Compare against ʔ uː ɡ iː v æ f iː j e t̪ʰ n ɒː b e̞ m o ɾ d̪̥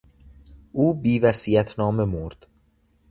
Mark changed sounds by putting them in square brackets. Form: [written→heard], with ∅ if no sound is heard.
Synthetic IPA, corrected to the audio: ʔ uː [ɡ→b] iː v æ [f→s] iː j [e→æ] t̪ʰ n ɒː [b→m] e̞ m o ɾ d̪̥